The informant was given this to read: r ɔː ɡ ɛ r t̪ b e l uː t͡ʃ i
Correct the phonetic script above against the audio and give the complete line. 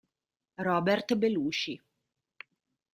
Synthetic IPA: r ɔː b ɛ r t̪ b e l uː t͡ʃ i